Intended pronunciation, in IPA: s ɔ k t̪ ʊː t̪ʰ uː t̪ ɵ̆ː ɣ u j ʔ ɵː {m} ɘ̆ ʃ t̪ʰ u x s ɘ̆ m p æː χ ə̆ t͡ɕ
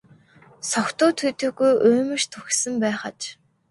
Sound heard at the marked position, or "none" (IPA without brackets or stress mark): m